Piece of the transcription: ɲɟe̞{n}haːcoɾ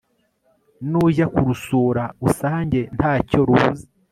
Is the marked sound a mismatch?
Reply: no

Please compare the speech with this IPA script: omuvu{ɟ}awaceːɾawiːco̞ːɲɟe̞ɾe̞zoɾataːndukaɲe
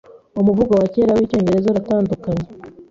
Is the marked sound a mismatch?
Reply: yes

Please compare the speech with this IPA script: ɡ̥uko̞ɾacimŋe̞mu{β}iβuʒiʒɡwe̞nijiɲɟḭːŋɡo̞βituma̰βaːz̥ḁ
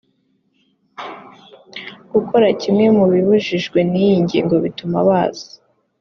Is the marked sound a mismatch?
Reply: no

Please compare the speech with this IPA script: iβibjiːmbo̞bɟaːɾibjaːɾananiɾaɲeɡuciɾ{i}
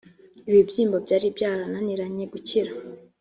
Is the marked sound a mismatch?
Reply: yes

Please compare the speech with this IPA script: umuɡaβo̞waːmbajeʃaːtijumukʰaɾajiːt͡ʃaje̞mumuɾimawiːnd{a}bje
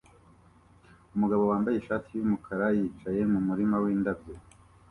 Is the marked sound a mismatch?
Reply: no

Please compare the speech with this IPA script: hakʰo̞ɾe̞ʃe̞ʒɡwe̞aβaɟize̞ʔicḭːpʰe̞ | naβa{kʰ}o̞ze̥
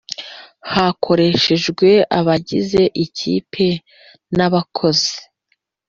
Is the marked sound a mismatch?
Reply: no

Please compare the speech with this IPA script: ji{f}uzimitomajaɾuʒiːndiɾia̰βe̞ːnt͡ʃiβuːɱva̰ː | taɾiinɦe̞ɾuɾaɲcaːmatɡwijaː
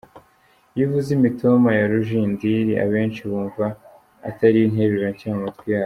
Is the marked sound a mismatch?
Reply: yes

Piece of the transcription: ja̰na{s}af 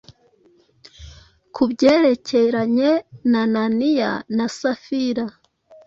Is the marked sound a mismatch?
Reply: no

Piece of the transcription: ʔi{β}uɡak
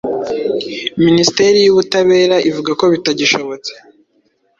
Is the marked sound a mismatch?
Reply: yes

